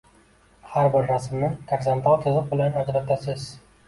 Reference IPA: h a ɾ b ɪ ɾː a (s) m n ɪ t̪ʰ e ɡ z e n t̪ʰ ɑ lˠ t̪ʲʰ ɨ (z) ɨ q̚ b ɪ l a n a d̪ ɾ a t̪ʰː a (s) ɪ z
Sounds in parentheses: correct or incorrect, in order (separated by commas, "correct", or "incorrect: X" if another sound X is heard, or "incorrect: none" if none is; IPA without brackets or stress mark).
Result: correct, correct, correct